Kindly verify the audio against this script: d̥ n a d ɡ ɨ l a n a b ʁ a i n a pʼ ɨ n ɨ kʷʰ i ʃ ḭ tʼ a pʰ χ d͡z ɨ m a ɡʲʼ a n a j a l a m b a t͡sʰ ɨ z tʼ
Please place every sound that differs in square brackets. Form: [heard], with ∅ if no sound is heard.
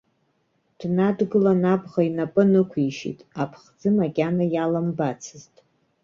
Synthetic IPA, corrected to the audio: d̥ n a d ɡ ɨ l a n a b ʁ a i n a pʼ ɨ n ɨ kʷʰ i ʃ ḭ tʼ a pʰ χ d͡z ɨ m a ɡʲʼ a n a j a l a m b a t͡sʰ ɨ z tʼ